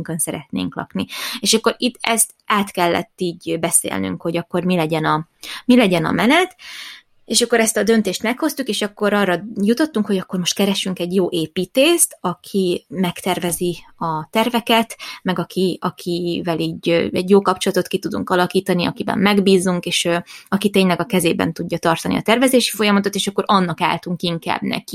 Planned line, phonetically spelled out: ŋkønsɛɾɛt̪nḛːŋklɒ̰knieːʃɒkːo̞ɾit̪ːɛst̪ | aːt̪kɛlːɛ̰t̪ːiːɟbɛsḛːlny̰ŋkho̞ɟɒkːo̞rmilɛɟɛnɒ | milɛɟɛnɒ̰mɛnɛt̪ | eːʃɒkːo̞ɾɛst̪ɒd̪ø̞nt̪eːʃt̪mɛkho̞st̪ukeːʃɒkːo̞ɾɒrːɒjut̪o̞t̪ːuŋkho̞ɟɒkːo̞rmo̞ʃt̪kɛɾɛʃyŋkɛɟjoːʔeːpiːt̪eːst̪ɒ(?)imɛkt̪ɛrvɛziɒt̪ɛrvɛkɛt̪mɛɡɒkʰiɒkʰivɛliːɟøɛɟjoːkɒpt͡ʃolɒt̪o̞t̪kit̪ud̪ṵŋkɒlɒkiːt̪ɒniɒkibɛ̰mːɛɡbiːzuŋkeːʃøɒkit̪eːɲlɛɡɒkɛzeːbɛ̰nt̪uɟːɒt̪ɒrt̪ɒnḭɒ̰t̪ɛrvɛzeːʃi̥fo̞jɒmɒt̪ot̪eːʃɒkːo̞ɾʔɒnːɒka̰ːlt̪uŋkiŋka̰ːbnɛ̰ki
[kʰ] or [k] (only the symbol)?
kʰ